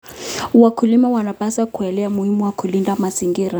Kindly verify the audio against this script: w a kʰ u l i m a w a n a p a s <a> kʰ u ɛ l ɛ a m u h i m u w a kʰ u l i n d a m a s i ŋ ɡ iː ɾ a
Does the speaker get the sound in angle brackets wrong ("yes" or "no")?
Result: no